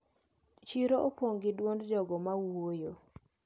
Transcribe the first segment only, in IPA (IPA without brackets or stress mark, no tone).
t͡ʃ